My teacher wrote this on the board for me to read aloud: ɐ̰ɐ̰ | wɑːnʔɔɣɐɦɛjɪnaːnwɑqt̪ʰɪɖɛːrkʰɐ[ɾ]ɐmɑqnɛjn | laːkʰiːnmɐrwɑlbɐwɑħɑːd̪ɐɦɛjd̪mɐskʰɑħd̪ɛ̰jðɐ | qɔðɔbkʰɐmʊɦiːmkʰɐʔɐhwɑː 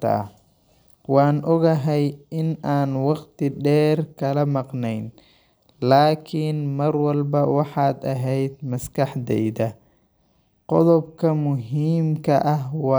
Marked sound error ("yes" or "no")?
yes